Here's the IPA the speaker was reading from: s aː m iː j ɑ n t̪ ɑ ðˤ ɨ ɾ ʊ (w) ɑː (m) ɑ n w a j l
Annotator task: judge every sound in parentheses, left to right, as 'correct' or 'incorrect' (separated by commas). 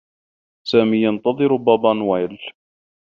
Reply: incorrect, incorrect